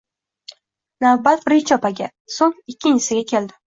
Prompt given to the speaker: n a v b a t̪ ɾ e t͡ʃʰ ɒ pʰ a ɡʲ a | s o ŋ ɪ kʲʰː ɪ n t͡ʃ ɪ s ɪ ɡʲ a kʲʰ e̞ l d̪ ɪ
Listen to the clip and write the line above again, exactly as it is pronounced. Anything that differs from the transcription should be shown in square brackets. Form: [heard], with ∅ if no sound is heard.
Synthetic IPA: n a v b a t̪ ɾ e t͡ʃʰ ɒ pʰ a ɡʲ a | s o ŋ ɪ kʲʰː ɪ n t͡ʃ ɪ s ɪ ɡʲ a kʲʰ e̞ l d̪ ɪ